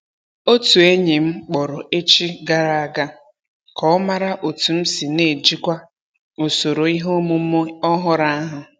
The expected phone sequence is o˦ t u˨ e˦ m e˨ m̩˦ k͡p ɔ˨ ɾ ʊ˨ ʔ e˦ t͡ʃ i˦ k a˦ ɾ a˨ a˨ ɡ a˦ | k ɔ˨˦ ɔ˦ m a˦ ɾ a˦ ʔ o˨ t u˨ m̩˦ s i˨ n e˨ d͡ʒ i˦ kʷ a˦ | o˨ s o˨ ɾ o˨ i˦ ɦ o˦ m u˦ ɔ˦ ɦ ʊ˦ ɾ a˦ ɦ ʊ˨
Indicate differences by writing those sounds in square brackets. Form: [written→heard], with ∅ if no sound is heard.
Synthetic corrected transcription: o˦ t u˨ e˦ [m→ɲ] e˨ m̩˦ k͡p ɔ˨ ɾ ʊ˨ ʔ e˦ t͡ʃ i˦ [k→ɡ] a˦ ɾ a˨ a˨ ɡ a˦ | k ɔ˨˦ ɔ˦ m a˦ ɾ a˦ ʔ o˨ t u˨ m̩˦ s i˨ n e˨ d͡ʒ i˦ kʷ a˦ | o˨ s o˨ ɾ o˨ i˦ ɦ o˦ m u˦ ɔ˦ ɦ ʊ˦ ɾ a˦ ɦ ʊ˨